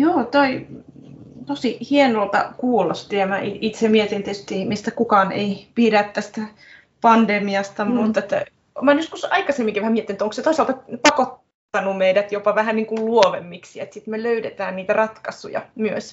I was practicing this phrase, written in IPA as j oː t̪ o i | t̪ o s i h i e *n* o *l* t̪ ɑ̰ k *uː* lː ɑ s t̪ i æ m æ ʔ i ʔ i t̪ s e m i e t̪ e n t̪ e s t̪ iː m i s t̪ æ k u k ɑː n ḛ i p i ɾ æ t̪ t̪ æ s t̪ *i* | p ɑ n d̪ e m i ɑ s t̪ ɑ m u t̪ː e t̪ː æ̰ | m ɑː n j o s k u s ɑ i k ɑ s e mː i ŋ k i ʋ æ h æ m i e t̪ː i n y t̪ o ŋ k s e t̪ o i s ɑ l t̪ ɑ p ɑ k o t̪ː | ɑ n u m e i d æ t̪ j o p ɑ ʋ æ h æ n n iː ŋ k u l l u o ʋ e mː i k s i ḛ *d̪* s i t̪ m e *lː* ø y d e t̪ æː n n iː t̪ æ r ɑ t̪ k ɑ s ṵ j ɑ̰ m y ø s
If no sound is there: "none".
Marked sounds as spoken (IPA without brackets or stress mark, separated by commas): n, l, uː, æ, t̪, l